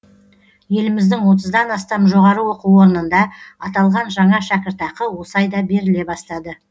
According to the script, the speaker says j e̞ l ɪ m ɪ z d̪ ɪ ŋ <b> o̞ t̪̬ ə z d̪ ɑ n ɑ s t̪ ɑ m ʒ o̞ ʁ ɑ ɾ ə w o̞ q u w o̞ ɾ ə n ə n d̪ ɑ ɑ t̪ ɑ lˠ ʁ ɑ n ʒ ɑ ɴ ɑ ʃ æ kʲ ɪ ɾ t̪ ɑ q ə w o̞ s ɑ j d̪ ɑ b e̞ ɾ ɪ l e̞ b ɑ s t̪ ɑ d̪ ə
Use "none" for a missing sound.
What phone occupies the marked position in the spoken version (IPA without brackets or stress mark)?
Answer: w